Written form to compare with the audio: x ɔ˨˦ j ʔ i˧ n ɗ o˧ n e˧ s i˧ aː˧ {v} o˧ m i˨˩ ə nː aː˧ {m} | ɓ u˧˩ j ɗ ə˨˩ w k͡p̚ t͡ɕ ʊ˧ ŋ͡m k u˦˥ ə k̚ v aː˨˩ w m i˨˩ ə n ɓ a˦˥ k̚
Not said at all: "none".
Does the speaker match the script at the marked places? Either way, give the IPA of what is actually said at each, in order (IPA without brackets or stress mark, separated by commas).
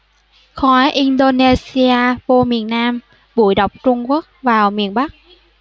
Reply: v, m